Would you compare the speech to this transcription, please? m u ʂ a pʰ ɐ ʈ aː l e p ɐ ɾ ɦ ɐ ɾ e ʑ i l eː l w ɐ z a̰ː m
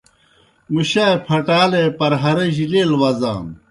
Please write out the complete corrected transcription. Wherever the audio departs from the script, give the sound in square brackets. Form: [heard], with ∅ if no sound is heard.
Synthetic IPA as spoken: m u [ɕ] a pʰ ɐ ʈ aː l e p ɐ ɾ ɦ ɐ ɾ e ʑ i l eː l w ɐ z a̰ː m